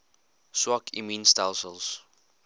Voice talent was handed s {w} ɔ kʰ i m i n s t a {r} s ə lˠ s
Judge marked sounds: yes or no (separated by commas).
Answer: yes, no